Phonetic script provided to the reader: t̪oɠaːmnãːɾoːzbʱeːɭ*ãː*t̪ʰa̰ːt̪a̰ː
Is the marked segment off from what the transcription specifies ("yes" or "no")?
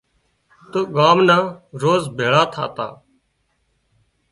yes